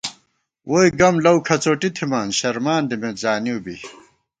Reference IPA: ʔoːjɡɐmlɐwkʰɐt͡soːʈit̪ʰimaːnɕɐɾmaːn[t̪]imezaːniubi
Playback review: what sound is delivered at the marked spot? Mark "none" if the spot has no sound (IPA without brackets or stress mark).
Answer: d̪